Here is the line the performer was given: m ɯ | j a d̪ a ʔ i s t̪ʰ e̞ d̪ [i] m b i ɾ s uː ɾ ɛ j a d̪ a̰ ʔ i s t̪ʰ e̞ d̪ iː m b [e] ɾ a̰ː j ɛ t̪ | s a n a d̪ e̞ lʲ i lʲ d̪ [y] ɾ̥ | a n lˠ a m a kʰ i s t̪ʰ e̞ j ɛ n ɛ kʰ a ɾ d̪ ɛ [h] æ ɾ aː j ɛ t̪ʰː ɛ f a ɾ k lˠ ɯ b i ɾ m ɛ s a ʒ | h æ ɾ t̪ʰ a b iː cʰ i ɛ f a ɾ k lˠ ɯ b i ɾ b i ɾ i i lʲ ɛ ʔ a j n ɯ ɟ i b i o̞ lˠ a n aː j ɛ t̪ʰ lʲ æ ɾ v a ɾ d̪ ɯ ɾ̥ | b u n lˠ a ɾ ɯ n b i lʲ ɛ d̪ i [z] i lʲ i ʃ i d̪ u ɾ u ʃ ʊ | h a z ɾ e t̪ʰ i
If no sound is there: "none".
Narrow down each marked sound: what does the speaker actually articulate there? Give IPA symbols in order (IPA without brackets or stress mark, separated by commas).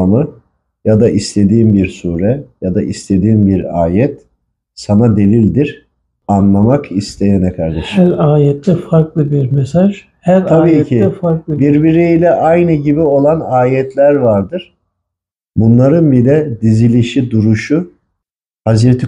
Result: iː, i, i, ʃ, z